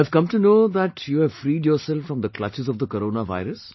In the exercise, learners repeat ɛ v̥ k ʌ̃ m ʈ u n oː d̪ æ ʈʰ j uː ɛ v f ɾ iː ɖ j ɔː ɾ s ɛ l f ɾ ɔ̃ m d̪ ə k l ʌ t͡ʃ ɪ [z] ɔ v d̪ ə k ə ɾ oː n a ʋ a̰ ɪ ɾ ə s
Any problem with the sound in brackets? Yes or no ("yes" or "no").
no